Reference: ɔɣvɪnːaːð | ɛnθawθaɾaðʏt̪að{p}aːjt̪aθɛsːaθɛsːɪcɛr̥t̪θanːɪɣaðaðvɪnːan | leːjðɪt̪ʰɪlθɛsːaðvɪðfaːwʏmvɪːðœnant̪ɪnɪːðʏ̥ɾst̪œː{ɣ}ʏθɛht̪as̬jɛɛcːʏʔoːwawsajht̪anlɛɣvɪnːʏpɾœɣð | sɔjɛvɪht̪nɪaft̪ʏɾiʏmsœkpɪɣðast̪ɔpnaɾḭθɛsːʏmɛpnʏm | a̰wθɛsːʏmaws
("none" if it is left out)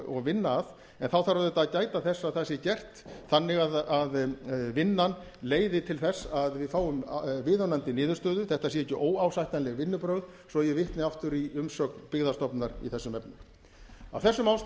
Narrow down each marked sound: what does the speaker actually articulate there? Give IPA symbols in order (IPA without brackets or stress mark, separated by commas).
c, ð